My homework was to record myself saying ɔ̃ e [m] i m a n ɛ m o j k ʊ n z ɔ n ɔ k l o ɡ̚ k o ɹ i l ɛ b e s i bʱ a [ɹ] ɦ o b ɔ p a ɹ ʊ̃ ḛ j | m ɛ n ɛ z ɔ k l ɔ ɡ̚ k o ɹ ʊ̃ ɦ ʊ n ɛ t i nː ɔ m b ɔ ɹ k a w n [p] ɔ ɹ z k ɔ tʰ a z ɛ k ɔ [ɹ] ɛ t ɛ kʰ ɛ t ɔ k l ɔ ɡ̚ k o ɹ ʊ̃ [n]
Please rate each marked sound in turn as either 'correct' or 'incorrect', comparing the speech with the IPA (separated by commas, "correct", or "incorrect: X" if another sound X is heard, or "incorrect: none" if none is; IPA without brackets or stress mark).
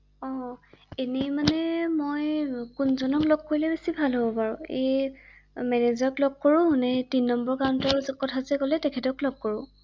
incorrect: n, incorrect: l, incorrect: t, incorrect: l, incorrect: none